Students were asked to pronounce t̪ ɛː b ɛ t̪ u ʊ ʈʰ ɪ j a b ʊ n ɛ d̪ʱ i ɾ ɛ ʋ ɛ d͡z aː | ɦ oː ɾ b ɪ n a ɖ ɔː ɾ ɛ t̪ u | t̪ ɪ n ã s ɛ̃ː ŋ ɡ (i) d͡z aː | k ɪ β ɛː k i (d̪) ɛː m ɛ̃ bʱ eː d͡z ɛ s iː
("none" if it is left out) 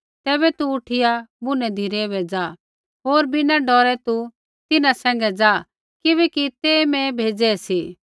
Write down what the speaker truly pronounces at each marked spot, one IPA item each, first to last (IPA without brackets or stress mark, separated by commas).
ɛ, t̪